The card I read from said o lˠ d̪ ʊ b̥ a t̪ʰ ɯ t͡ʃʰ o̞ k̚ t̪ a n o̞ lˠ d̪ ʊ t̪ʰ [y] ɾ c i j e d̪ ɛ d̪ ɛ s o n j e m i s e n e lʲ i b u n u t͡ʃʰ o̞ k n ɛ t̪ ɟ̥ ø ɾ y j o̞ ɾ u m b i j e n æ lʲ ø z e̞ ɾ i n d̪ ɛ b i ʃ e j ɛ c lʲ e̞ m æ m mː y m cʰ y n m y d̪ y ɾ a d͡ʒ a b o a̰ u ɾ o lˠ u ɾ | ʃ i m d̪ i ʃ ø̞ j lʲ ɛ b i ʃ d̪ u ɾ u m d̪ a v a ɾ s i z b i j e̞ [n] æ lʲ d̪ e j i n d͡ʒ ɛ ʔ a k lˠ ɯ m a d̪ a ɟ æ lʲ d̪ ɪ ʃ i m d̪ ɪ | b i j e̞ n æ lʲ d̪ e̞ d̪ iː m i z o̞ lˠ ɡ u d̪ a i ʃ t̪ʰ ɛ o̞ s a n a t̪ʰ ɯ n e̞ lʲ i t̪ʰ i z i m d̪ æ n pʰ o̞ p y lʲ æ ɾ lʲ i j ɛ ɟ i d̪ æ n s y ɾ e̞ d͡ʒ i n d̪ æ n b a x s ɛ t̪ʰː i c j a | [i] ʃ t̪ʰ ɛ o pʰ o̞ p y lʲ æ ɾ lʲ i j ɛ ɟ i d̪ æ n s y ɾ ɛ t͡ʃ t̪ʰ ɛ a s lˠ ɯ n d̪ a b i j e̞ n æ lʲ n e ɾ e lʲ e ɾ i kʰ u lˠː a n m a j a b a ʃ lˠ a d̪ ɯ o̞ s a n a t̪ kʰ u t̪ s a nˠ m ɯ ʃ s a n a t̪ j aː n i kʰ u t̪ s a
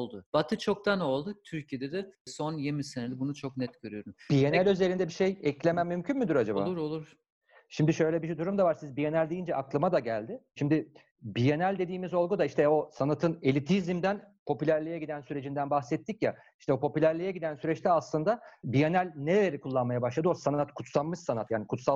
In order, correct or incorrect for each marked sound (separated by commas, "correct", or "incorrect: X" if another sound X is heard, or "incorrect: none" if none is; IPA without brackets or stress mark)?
correct, correct, correct